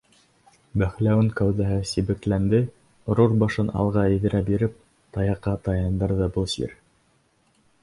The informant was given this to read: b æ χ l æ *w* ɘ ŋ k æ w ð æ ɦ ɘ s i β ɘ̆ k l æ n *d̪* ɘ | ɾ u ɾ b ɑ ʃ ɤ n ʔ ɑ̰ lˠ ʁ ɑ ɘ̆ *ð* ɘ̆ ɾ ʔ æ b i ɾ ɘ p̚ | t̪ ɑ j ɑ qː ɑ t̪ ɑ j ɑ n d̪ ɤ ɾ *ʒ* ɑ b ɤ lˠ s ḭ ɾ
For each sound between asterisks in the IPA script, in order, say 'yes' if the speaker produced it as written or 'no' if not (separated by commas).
yes, yes, yes, no